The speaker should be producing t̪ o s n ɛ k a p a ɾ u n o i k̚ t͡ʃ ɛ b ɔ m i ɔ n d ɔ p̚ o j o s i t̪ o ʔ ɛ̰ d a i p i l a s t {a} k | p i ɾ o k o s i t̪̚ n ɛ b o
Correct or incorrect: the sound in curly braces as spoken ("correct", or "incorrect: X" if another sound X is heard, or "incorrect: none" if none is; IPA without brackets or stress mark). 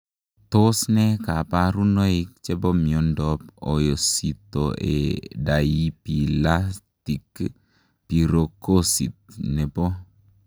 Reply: incorrect: i